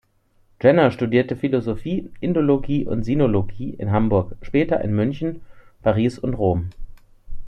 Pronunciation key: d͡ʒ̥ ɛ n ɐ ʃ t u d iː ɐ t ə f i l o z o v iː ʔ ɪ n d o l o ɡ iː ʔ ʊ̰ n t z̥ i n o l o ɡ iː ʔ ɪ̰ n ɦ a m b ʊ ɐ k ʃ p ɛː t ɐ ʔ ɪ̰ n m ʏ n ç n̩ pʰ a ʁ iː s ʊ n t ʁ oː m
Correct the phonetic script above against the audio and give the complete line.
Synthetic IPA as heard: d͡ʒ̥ ɛ n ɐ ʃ t u d iː ɐ t ə f i l o z o f iː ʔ ɪ n d o l o ɡ iː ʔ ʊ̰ n t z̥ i n o l o ɡ iː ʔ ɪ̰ n ɦ a m b ʊ ɐ k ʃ p ɛː t ɐ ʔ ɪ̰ n m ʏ n ç n̩ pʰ a ʁ iː s ʊ n t ʁ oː m